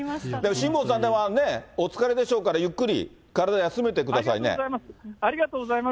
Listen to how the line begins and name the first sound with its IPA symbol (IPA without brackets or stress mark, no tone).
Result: d̪